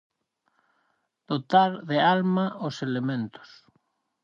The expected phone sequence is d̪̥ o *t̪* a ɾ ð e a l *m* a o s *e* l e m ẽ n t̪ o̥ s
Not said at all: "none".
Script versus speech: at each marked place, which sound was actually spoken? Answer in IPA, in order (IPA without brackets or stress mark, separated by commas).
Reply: t̪, m, e